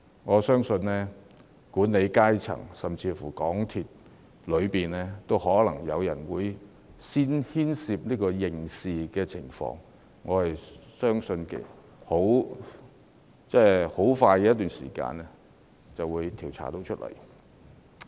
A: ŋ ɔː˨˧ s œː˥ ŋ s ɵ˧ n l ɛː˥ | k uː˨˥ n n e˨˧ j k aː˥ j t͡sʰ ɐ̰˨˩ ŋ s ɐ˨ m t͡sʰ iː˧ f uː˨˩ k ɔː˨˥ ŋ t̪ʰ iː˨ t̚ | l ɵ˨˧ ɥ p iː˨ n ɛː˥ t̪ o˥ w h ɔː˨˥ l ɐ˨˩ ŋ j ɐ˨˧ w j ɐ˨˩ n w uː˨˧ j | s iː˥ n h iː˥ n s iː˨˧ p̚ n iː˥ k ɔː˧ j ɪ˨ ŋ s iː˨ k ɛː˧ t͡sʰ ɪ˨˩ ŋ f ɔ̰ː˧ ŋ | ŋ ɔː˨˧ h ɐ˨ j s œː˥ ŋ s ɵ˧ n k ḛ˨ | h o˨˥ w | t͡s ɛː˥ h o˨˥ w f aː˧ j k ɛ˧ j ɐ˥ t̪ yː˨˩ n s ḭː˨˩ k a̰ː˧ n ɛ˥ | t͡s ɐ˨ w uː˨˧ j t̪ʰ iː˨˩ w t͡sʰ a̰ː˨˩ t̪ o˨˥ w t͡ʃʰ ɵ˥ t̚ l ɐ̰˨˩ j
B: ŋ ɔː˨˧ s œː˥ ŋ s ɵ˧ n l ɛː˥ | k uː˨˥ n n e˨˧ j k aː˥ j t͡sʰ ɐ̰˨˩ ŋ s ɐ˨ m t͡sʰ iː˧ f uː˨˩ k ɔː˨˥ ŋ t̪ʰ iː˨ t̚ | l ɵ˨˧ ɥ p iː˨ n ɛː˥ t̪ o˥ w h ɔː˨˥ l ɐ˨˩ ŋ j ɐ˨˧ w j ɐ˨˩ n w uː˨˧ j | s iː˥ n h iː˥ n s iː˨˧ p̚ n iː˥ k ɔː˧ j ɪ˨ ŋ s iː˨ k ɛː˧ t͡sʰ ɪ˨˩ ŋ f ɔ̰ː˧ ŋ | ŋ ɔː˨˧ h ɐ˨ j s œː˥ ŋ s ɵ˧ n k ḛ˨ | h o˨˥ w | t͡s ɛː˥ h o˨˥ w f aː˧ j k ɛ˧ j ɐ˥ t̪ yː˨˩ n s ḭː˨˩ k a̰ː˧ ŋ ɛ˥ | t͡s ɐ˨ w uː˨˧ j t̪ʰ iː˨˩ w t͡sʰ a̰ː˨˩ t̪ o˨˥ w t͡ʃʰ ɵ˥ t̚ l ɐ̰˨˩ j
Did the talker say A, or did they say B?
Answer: A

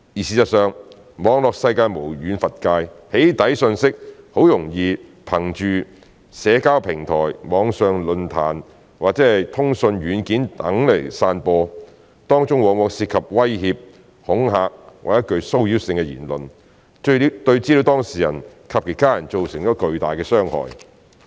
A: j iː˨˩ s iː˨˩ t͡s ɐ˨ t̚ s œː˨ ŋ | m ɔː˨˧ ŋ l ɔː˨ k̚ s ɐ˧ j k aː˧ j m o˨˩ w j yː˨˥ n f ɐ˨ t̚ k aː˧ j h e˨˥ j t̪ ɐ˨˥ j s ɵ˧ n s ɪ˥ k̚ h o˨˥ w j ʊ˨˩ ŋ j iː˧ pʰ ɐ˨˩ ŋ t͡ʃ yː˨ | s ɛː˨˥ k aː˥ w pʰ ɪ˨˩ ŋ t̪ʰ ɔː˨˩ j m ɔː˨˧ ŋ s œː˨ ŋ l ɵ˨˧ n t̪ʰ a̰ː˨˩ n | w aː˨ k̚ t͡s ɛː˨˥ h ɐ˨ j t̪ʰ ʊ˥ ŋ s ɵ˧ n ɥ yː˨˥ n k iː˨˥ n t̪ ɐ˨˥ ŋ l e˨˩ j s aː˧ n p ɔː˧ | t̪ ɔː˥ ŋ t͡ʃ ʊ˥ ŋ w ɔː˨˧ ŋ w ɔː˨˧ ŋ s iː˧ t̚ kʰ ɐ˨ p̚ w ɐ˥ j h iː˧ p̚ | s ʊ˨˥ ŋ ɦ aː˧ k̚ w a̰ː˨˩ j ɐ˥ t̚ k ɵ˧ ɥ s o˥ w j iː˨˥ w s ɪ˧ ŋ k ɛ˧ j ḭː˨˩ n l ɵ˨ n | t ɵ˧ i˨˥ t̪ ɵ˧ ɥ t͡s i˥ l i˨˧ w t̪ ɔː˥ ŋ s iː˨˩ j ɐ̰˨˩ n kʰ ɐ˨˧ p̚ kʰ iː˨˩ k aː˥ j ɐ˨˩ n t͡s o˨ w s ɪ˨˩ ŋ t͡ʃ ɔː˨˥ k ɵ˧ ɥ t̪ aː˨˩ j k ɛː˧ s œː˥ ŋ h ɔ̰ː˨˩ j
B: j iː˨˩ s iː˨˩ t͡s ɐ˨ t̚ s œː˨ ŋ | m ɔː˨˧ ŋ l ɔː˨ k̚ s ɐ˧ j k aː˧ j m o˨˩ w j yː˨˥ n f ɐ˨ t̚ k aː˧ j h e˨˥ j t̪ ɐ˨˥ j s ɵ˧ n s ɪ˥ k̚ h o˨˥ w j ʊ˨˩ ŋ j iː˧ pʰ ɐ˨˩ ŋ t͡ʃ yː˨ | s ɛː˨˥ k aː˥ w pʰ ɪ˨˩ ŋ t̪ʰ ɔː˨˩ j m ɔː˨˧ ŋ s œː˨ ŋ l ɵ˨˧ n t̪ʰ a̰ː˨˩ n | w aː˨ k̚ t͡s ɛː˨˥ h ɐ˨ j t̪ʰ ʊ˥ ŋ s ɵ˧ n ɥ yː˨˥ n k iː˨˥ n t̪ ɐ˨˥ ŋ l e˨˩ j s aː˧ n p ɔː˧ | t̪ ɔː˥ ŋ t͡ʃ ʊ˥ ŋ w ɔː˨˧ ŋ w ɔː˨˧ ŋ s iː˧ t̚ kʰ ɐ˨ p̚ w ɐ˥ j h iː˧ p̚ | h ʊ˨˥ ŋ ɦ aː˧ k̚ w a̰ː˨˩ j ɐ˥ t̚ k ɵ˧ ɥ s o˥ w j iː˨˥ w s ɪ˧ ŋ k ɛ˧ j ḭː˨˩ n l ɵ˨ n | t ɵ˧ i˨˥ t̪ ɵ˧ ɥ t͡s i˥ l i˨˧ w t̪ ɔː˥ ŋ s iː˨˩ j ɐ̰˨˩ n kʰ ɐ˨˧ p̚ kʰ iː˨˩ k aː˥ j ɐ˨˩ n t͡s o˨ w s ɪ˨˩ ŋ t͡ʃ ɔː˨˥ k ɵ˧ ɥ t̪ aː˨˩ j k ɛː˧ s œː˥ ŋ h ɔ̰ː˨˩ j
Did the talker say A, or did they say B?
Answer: B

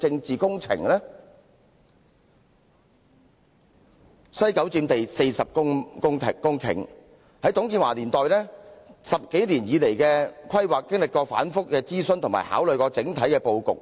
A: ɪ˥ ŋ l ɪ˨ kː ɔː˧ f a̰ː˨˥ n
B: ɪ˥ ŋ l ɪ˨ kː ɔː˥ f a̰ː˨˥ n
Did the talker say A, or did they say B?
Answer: A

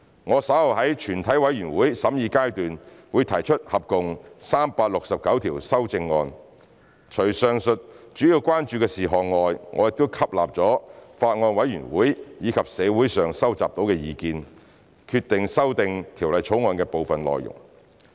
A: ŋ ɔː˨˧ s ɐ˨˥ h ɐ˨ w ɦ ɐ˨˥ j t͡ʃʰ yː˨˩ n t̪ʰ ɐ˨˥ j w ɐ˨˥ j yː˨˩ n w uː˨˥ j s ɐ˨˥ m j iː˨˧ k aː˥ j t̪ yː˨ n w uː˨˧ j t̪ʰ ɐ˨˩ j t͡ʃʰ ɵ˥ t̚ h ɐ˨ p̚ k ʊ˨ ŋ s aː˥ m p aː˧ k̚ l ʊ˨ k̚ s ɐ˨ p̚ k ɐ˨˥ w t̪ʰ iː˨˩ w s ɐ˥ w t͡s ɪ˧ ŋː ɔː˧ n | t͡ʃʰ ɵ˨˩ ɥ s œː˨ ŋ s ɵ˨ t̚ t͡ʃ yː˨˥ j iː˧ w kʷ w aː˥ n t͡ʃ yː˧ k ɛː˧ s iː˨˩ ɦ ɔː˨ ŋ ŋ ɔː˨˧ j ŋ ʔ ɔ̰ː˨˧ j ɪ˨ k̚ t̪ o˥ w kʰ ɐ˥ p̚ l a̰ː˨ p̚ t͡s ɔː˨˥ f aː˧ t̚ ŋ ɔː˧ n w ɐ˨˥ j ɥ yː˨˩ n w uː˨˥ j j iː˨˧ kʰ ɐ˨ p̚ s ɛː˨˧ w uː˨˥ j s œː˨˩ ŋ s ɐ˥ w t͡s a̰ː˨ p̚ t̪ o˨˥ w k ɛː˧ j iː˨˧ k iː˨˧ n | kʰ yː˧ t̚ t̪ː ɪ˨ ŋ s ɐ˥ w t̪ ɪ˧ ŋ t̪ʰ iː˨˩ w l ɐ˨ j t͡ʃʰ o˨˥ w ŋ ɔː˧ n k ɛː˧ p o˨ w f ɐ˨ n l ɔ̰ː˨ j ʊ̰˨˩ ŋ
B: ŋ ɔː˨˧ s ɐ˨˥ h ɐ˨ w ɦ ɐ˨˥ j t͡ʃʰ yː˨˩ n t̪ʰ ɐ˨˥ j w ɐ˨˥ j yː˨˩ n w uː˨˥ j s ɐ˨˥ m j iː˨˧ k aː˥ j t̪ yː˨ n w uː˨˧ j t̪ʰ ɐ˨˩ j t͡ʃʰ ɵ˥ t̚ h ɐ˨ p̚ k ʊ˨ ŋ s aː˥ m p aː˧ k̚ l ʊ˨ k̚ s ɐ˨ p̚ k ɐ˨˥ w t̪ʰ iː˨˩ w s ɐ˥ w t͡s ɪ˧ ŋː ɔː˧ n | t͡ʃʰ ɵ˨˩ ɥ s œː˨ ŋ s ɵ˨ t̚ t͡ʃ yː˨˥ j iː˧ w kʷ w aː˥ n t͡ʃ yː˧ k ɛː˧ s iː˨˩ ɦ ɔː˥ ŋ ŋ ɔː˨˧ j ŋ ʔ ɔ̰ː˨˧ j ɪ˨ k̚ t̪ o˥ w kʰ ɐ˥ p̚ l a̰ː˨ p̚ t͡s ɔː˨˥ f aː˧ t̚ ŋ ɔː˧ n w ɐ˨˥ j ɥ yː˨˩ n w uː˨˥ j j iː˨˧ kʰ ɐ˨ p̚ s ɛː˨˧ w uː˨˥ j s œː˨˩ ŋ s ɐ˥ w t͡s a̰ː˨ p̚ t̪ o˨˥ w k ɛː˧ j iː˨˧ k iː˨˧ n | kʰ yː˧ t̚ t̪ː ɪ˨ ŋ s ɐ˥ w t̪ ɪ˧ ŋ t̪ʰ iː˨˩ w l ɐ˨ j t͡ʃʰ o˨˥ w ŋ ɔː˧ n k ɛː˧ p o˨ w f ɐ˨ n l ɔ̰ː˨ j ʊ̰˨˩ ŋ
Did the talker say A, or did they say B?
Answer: A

